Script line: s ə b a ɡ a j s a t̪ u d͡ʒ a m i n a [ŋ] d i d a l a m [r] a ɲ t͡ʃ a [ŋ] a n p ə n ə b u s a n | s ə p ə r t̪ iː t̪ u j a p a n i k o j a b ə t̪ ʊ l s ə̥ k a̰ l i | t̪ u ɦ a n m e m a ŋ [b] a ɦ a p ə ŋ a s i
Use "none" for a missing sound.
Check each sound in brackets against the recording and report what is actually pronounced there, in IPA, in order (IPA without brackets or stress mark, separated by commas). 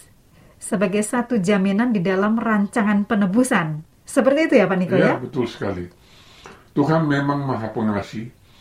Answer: n, r, ŋ, m